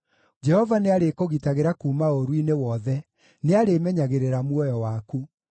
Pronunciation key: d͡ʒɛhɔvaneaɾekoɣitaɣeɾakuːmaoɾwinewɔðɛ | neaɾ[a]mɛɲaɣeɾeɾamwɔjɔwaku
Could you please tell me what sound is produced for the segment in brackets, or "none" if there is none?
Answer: e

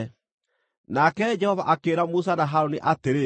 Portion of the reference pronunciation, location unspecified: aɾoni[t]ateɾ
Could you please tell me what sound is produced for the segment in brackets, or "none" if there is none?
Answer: ʔ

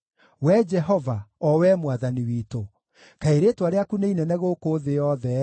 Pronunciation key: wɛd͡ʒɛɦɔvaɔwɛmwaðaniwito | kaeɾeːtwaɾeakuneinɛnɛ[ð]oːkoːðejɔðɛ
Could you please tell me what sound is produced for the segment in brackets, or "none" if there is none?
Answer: ɣ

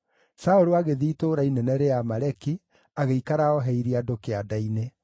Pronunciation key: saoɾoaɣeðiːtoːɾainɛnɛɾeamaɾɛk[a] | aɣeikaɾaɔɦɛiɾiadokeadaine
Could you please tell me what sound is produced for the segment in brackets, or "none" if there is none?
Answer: i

